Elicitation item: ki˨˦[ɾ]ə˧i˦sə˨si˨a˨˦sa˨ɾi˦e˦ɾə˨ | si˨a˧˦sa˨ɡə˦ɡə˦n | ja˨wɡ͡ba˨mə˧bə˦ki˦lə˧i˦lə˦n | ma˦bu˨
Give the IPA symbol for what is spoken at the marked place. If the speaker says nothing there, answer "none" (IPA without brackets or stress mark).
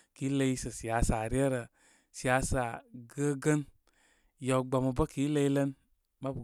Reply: l